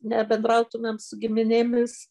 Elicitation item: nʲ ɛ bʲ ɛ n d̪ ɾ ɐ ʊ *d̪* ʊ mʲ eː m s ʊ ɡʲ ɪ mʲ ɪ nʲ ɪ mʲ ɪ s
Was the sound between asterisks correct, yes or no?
no